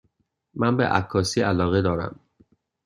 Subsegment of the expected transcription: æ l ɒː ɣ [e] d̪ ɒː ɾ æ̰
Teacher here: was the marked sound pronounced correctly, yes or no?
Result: yes